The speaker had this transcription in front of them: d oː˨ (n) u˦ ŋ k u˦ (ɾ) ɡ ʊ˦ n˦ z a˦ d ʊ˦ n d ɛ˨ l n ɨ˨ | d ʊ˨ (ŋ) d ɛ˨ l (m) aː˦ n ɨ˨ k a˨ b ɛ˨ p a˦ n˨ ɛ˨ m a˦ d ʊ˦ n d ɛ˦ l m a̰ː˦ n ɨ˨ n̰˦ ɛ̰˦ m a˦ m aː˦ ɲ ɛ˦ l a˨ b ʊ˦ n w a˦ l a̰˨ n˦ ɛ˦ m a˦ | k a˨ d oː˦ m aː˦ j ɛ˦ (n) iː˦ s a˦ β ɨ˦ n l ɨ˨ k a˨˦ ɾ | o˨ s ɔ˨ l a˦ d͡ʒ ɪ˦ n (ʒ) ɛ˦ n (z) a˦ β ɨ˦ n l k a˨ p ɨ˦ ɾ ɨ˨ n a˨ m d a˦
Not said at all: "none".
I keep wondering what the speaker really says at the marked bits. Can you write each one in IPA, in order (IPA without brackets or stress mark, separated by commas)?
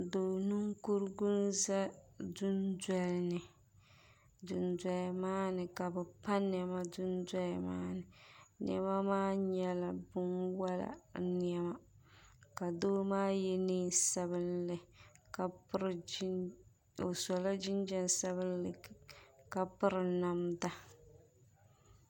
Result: n, ɾ, n, m, n, d͡ʒ, s